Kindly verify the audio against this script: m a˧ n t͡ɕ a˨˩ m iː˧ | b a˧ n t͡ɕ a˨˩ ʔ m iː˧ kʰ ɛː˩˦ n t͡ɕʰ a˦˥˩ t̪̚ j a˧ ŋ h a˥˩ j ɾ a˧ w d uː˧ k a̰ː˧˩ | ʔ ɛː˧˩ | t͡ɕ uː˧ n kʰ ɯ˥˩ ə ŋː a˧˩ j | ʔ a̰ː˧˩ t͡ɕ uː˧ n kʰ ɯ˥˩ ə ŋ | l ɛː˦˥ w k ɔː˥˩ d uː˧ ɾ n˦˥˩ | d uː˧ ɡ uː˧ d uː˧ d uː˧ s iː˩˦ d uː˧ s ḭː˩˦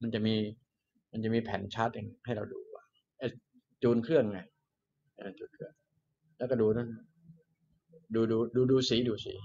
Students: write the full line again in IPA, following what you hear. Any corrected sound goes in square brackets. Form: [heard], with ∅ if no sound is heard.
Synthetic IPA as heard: m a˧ n t͡ɕ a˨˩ m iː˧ | [m] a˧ n t͡ɕ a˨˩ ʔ m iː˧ [pʰ] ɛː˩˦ n t͡ɕʰ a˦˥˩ t̪̚ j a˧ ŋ h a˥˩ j ɾ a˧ w d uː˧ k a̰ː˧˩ | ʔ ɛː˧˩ | t͡ɕ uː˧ n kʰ ɯ˥˩ ə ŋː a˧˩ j | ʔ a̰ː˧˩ t͡ɕ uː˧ n kʰ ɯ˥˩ ə ŋ | l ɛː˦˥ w k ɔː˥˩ d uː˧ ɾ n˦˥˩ | d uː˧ [d] uː˧ d uː˧ d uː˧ s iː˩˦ d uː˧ s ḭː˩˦